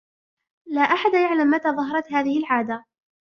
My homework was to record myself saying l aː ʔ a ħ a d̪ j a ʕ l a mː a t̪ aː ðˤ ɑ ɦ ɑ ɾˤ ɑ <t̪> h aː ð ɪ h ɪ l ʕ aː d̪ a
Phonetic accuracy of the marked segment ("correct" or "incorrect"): correct